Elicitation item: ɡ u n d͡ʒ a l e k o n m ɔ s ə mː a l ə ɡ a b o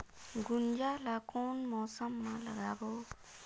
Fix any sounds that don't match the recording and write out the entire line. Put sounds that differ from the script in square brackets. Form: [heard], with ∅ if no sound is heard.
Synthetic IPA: ɡ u n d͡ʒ a l [a] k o n m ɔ s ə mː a l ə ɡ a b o